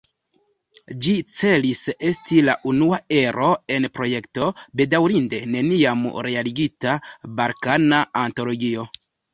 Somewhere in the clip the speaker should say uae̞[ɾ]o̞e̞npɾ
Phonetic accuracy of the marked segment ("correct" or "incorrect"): correct